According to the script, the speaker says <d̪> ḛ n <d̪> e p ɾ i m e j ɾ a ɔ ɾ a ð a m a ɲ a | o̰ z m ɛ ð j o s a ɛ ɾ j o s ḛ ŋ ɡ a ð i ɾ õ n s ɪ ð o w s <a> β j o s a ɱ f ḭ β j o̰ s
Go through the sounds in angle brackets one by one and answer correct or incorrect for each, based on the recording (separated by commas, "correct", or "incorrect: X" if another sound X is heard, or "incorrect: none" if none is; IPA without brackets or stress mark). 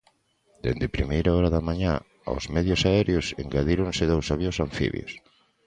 correct, correct, correct